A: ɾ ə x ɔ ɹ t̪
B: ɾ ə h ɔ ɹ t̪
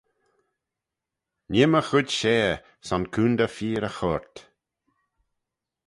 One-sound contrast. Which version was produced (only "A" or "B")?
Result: A